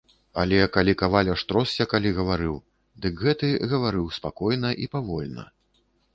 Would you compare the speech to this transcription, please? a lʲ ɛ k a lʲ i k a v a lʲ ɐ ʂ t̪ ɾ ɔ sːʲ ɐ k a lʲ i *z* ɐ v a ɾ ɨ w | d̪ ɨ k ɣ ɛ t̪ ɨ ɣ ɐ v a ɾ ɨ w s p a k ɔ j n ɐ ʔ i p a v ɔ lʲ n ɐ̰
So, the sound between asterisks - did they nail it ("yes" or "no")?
no